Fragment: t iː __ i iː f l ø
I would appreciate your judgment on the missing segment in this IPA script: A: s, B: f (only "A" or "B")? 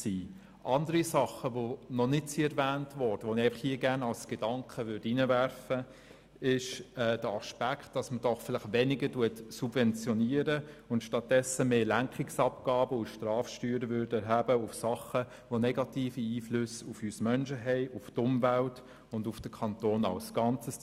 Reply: B